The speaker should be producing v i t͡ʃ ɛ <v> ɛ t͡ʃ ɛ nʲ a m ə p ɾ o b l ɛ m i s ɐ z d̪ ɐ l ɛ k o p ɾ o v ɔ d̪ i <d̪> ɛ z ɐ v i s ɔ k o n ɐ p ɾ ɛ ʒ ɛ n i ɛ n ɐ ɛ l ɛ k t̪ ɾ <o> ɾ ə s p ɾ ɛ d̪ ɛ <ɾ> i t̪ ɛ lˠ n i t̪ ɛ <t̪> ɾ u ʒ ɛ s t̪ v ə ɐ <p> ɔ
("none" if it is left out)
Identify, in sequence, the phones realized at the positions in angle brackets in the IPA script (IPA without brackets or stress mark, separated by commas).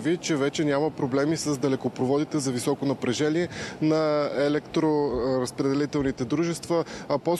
v, t̪, o, l, d̪, p